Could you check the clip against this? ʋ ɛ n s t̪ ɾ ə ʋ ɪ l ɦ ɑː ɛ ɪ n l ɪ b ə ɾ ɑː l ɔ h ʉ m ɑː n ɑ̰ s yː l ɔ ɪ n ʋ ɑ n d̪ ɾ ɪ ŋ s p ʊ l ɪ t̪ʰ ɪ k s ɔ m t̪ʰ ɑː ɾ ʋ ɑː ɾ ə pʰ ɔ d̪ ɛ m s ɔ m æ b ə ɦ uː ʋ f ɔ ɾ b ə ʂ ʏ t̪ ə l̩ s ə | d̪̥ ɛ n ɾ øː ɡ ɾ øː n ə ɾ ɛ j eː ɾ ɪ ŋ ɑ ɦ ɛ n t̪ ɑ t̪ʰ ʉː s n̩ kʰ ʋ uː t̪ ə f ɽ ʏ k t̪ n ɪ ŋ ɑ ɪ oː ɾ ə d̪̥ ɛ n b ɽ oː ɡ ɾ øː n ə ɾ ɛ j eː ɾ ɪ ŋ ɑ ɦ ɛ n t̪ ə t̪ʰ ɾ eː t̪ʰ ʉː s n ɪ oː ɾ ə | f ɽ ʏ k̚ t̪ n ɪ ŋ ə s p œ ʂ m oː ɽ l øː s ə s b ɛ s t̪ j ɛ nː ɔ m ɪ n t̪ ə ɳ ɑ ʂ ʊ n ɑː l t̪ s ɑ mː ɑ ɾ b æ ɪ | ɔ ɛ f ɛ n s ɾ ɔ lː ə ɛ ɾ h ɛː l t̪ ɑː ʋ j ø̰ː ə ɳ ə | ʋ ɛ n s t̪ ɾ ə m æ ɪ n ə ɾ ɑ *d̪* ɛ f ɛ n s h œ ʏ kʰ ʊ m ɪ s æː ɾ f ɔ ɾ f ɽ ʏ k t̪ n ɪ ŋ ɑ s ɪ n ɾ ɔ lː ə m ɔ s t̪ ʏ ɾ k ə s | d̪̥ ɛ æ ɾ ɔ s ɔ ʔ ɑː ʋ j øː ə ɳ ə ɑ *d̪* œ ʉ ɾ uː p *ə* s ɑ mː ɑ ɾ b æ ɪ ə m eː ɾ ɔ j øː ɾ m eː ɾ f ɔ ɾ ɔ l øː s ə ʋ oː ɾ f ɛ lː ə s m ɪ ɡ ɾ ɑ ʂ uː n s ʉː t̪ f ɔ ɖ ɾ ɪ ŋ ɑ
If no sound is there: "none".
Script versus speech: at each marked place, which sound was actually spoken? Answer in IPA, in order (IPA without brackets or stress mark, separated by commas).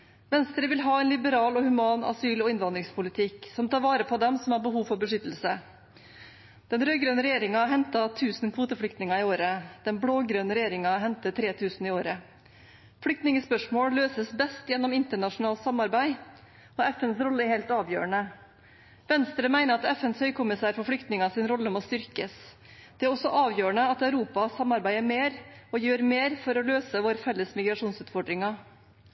t̪, t̪, ɑ